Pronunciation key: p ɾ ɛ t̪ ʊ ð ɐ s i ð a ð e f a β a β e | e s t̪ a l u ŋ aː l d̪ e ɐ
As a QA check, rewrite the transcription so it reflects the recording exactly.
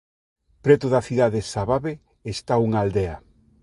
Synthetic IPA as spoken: p ɾ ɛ t̪ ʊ ð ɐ θ i ð a ð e s a β a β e | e s t̪ a u ŋ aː l d̪ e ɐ